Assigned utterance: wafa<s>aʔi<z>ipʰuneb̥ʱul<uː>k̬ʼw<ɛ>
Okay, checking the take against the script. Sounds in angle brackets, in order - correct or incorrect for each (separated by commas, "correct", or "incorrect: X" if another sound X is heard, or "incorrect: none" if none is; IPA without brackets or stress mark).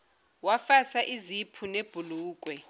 correct, correct, correct, correct